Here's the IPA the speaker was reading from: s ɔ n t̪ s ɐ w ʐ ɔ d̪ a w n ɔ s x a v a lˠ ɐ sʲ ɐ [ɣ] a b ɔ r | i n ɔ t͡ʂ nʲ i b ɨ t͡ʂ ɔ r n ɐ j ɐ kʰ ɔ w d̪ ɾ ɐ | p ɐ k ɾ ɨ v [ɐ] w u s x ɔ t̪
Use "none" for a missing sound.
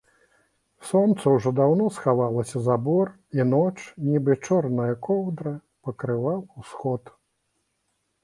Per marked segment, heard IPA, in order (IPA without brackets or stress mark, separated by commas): z, a